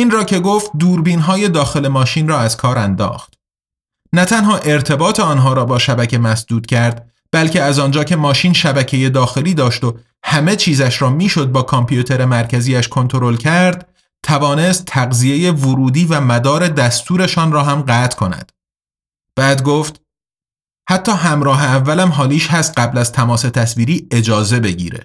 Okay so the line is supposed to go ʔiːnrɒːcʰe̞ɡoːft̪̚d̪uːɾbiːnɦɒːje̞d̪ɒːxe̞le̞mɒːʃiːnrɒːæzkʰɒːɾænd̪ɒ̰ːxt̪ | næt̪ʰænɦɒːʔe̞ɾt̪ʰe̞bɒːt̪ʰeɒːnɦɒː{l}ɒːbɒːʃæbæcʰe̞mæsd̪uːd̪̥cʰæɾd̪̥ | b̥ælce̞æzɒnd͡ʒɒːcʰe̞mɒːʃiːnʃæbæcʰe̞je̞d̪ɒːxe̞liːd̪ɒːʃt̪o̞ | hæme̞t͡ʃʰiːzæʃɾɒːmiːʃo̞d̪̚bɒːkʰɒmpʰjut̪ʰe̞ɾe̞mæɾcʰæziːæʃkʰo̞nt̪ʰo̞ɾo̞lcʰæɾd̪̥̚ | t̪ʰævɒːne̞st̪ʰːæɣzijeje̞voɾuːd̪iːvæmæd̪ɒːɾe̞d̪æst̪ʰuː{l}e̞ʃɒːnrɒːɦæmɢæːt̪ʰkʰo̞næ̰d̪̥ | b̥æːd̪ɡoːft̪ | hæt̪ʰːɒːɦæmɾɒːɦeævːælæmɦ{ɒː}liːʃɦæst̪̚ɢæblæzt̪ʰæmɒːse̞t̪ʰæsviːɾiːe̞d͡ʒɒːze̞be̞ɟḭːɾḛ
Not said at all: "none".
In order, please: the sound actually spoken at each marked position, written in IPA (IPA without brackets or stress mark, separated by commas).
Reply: ɾ, ɾ, ɒː